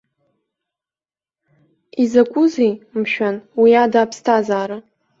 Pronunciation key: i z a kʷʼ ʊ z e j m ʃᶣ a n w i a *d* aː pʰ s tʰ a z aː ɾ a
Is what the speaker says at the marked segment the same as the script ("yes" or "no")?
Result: yes